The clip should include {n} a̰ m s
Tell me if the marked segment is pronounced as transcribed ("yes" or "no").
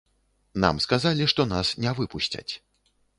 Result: yes